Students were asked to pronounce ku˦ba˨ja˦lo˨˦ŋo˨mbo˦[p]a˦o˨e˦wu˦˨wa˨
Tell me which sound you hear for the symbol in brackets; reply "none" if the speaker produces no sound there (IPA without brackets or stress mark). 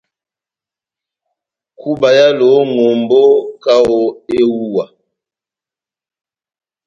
k